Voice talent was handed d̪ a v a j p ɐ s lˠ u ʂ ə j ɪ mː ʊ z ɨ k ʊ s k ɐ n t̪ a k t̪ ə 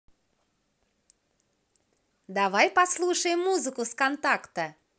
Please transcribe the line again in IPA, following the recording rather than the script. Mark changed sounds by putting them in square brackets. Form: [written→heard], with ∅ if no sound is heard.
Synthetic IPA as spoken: d̪ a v a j p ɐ s lˠ u ʂ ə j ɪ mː [ʊ→u] z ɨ k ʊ s k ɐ n t̪ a k t̪ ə